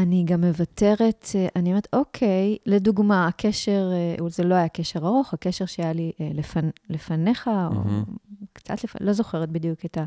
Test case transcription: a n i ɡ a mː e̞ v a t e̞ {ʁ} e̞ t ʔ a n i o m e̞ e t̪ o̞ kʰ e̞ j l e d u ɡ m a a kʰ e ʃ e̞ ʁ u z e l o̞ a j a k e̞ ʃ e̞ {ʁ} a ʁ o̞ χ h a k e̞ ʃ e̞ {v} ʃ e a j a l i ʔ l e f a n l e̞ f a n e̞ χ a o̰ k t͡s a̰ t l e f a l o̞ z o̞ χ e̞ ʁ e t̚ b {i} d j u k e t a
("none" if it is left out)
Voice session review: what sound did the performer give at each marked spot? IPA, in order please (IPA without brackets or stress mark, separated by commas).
ʁ, ʁ, ʁ, i